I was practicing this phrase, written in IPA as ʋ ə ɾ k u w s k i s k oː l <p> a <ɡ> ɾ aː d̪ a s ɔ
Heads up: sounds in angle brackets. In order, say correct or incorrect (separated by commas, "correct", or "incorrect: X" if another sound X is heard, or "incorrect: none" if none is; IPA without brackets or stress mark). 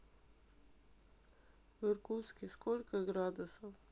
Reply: incorrect: k, correct